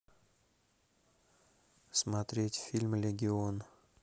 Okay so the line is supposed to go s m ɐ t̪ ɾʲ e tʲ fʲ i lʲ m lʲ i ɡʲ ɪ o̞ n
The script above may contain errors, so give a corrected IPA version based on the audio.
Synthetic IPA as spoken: s m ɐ t̪ ɾʲ e tʲ fʲ i lʲ m lʲ ɪ ɡʲ ɪ o̞ n